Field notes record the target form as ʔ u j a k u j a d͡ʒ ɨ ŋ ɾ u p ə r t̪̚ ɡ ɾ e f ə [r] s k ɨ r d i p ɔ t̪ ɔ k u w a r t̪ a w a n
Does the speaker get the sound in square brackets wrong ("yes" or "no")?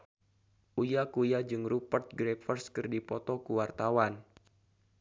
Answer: no